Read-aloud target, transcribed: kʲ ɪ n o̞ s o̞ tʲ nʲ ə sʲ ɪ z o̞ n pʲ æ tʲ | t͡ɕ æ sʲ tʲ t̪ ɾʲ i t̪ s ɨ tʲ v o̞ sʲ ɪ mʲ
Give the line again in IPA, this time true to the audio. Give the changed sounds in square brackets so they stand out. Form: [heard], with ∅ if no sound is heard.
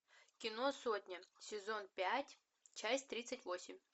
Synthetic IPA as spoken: kʲ ɪ n o̞ s o̞ tʲ nʲ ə sʲ ɪ z o̞ n pʲ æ tʲ | t͡ɕ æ sʲ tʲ t̪ ɾʲ i t̪ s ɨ tʲ v o̞ sʲ ɪ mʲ